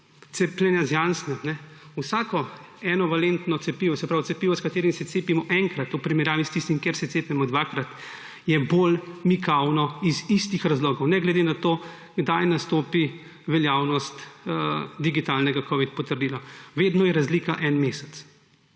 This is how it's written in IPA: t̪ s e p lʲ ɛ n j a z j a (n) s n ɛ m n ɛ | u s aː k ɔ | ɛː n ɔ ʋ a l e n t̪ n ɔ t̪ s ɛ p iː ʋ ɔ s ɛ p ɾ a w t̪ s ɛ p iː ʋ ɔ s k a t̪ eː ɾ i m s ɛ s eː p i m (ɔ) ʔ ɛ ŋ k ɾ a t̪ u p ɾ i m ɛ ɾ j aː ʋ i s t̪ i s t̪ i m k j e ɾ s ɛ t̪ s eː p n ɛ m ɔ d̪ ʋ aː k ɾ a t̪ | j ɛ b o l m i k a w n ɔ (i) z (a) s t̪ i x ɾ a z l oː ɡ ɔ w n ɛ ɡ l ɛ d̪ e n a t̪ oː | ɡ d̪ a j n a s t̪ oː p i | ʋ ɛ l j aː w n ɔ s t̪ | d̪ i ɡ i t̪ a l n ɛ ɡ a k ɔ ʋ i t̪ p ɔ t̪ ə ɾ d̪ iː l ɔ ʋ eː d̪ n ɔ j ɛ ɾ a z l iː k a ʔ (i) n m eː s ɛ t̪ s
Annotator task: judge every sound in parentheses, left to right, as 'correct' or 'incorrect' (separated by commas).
correct, correct, correct, incorrect, incorrect